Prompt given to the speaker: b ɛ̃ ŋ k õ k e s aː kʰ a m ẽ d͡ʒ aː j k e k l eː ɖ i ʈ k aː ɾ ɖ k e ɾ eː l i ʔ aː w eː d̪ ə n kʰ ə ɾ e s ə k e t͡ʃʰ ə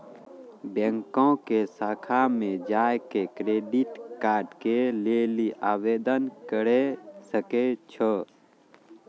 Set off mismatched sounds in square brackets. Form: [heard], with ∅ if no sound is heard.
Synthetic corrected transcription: b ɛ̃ ŋ k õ k e s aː kʰ a m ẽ d͡ʒ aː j k e k [ɾ] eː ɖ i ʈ k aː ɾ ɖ k e [l] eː l i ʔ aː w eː d̪ ə n [k] ə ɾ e s ə k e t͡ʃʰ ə